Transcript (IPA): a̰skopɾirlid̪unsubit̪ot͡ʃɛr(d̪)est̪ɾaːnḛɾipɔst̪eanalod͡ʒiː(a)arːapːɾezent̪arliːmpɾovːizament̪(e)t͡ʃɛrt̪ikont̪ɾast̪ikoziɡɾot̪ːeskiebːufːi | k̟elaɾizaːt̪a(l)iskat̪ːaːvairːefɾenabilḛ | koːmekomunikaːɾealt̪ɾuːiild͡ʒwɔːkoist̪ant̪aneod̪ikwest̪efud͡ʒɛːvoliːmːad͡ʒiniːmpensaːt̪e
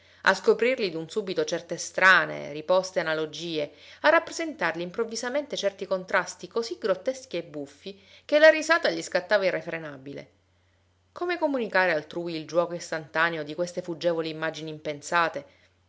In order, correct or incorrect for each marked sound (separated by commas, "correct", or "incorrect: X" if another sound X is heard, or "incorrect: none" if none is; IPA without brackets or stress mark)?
incorrect: t̪, incorrect: e, correct, incorrect: ʎ